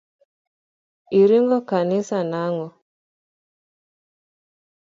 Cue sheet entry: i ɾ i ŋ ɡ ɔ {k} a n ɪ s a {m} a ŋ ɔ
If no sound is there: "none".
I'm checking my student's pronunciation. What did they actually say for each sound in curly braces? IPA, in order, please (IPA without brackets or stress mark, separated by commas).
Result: k, n